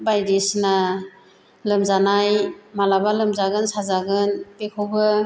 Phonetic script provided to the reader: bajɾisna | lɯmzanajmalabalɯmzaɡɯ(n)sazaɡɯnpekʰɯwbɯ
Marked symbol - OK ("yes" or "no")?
yes